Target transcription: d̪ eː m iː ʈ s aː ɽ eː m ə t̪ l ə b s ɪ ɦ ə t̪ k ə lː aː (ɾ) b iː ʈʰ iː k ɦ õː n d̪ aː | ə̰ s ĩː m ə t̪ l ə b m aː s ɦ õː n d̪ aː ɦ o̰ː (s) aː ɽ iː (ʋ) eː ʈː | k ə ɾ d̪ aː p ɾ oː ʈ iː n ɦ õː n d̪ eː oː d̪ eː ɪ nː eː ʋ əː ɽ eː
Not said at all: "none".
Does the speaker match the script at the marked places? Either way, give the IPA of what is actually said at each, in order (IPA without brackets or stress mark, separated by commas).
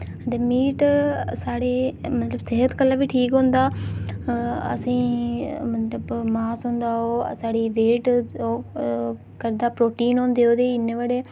none, s, ʋ